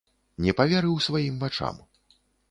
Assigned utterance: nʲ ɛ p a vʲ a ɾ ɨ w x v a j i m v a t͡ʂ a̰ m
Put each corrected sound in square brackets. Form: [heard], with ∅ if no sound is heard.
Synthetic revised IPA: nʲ ɛ p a vʲ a ɾ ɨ w [s] v a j i m v a t͡ʂ a̰ m